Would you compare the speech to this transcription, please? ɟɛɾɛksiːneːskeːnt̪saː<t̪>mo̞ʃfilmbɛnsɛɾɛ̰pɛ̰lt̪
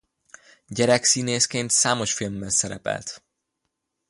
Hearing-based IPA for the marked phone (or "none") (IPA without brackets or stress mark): none